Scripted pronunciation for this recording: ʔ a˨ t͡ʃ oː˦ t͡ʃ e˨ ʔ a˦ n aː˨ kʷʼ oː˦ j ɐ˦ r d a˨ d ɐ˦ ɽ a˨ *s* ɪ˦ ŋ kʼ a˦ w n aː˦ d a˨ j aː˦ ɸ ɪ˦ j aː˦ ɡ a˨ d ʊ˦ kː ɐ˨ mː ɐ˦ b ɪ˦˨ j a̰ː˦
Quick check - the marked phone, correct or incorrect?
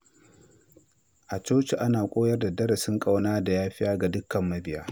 correct